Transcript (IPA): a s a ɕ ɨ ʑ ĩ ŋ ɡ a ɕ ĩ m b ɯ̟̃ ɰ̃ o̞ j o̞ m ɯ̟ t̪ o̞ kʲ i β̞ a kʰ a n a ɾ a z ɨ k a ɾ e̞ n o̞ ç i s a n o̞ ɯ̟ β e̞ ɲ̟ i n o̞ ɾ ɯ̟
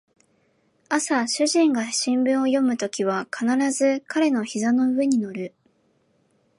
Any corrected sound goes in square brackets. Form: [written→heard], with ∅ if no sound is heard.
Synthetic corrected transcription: a s a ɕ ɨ ʑ ĩ ŋ ɡ a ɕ ĩ m b ɯ̟̃ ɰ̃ o̞ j o̞ m ɯ̟ t̪ o̞ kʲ i β̞ a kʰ a n a ɾ a z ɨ k a ɾ e̞ n o̞ ç i [s→z] a n o̞ ɯ̟ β e̞ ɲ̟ i n o̞ ɾ ɯ̟